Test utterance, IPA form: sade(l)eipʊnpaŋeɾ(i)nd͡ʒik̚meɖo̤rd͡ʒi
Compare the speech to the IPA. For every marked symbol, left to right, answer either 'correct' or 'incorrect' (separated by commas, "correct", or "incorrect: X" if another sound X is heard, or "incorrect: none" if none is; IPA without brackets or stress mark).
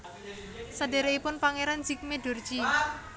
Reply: incorrect: ɾ, incorrect: a